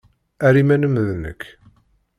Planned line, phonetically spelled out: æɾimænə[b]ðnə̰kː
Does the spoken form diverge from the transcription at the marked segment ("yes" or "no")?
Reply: yes